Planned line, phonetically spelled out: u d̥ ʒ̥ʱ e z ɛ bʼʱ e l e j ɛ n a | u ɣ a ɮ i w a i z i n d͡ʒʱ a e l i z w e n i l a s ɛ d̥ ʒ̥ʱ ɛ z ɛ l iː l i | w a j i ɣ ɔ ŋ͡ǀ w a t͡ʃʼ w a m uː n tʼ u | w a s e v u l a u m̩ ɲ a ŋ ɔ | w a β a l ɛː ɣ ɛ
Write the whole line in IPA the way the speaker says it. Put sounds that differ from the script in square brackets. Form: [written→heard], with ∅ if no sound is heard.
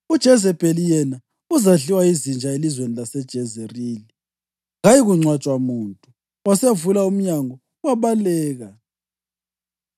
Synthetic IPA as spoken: u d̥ ʒ̥ʱ [e→ɛ] z ɛ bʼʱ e l [e→i] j ɛ n a | u [ɣ→z] a ɮ i w a i z i n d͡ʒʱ a e l i z w e n i l a s ɛ d̥ ʒ̥ʱ ɛ z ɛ [l→r] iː l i | [w→ɣ] a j i ɣ [ɔ→u] ŋ͡ǀ w a t͡ʃʼ w a m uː n tʼ u | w a s e v u l a u m̩ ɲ a ŋ ɔ | w a β a l ɛː ɣ [ɛ→a]

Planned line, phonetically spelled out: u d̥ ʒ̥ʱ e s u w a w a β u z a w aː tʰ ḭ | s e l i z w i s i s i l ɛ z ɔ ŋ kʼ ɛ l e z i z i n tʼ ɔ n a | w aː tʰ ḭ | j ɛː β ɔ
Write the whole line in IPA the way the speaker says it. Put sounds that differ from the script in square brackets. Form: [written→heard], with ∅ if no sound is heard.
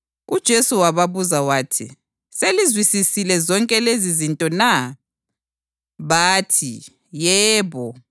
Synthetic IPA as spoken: u d̥ ʒ̥ʱ e s u w a [w→β] a β u z a w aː tʰ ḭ | s e l i z w i s i s i l ɛ z ɔ ŋ kʼ ɛ l e z i z i n tʼ ɔ n a | [w→β] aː tʰ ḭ | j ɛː β ɔ

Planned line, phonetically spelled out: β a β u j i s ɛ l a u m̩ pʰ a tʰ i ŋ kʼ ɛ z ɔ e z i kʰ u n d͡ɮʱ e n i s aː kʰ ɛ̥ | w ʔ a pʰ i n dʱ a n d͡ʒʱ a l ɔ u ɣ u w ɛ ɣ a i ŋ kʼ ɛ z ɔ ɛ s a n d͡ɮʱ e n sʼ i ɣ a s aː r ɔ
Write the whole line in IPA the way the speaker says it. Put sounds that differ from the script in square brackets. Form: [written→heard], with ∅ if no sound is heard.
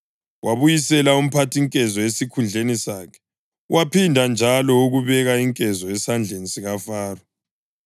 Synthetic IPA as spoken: [β→w] a β u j i s ɛ l a u m̩ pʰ a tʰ i ŋ kʼ ɛ z ɔ e [z→s] i kʰ u n d͡ɮʱ e n i s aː kʰ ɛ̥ | w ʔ a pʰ i n dʱ a n d͡ʒʱ a l ɔ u ɣ u [w→β] ɛ ɣ a i ŋ kʼ ɛ z ɔ ɛ s a n d͡ɮʱ e n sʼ i ɣ a [s→f] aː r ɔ

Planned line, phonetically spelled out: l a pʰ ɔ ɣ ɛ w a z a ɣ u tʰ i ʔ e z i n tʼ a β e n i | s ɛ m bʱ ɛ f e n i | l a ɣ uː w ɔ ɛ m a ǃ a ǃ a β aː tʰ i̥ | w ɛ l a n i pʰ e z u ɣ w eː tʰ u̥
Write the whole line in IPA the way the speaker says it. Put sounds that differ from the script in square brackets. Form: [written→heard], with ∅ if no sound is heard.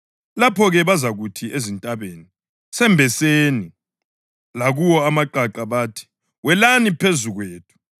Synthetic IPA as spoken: l a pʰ ɔ ɣ ɛ [w→β] a z a ɣ u tʰ i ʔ e z i n tʼ a β e n i | s ɛ m bʱ ɛ [f→s] e n i | l a ɣ [uː→u] w ɔ [ɛ→a] m a ǃ a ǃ a β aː tʰ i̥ | w ɛ l a n i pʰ e z u ɣ w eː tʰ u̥

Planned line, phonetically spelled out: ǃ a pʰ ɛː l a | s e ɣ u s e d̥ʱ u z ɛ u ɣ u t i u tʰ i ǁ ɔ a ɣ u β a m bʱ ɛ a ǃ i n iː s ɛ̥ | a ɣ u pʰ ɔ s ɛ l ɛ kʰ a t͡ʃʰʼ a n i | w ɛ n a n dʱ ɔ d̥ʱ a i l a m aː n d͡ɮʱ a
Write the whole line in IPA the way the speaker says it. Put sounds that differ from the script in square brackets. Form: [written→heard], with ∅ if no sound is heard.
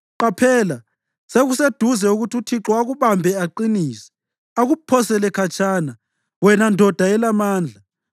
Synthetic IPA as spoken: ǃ a pʰ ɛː l a | s e ɣ u s e d̥ʱ u z ɛ u ɣ u t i u tʰ i ǁ ɔ a ɣ u β a m bʱ ɛ a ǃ i n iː s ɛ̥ | a ɣ u pʰ ɔ s ɛ l ɛ kʰ a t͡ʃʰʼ a n [i→a] | w ɛ n a n dʱ ɔ d̥ʱ a [i→ɛ] l a m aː n d͡ɮʱ a

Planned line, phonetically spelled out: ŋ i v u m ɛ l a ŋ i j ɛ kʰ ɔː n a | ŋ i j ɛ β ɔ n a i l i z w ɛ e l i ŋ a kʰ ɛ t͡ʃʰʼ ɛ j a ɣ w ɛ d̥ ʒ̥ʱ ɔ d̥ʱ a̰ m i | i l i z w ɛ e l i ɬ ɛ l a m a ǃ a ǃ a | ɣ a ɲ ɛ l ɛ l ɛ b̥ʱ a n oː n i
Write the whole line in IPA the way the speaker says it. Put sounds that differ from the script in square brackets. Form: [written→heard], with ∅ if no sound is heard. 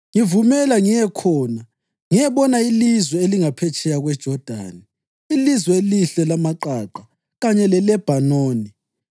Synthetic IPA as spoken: ŋ i v u m ɛ l a ŋ i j ɛ kʰ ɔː n a | ŋ i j ɛ β ɔ n a i l i z w ɛ e l i ŋ a [kʰ→pʰ] ɛ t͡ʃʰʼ ɛ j a ɣ w ɛ d̥ ʒ̥ʱ ɔ d̥ʱ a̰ [m→n] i | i l i z w ɛ e l i ɬ ɛ l a m a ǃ a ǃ a | ɣ a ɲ ɛ l ɛ l ɛ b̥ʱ a n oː n i

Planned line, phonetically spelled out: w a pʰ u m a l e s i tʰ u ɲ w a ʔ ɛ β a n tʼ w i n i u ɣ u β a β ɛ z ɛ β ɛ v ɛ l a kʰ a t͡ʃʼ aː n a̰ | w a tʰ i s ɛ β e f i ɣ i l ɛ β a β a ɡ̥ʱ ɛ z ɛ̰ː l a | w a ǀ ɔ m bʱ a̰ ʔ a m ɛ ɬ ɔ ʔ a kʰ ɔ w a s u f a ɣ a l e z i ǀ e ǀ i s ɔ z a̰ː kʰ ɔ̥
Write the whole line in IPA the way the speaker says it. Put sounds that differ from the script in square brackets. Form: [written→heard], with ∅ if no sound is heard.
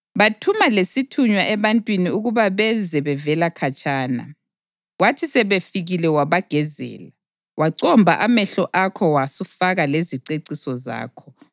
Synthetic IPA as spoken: [w→β] a [pʰ→tʰ] u m a l e s i tʰ u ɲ w a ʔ ɛ β a n tʼ w i n i u ɣ u β a β ɛ z ɛ β ɛ v ɛ l a kʰ a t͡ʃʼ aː n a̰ | w a tʰ i s ɛ β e f i ɣ i l ɛ [β→w] a β a ɡ̥ʱ ɛ z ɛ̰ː l a | w a ǀ ɔ m bʱ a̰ ʔ a m ɛ ɬ ɔ ʔ a kʰ ɔ w a s u f a ɣ a l e z i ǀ e ǀ i s ɔ z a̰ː kʰ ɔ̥

